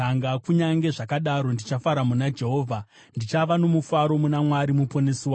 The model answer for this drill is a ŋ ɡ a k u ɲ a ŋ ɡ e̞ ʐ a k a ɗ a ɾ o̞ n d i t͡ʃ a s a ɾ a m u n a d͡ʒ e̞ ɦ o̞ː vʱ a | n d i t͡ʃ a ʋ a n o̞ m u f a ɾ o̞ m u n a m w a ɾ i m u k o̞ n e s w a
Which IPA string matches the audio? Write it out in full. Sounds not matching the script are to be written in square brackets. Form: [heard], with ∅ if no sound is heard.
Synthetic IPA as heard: a ŋ ɡ a k u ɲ a ŋ ɡ e̞ ʐ a k a ɗ a ɾ o̞ n d i t͡ʃ a [f] a ɾ a m u n a d͡ʒ e̞ ɦ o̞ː vʱ a | n d i t͡ʃ a ʋ a n o̞ m u f a ɾ o̞ m u n a m w a ɾ i m u [p] o̞ n e s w a